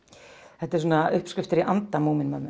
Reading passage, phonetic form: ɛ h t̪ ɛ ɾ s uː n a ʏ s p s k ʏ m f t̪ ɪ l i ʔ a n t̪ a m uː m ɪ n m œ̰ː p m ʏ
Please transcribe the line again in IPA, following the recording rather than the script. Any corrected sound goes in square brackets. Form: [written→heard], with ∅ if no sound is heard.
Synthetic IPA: ɛ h t̪ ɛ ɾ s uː n a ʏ [s→h] p s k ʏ [m→∅] f t̪ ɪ [l→ɾ] i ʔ a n t̪ a m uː m ɪ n m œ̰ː [p→∅] m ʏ